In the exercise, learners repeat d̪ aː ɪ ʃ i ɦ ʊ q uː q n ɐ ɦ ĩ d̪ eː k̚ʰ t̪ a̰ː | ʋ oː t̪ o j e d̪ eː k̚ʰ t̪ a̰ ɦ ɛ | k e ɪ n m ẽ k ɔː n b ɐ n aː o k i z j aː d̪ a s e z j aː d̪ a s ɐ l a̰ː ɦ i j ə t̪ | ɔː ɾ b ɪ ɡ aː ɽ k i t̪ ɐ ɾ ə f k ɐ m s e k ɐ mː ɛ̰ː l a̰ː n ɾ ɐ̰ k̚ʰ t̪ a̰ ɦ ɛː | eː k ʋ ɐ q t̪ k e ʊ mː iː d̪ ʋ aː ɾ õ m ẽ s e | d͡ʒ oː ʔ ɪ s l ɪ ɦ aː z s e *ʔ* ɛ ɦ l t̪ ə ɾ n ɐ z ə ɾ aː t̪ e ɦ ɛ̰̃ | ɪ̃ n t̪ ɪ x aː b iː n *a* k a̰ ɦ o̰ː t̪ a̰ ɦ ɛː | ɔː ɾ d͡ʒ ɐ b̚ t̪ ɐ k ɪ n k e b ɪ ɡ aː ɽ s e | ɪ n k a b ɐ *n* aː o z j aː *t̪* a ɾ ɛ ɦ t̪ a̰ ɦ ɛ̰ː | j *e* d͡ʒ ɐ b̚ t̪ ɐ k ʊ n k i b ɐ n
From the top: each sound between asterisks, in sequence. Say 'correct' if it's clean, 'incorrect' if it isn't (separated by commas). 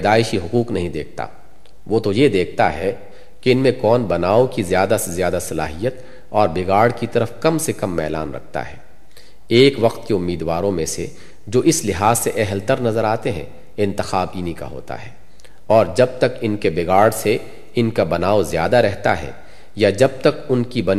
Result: correct, incorrect, correct, incorrect, incorrect